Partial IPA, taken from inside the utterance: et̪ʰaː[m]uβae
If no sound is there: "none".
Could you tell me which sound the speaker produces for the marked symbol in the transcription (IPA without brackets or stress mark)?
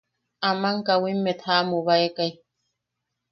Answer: m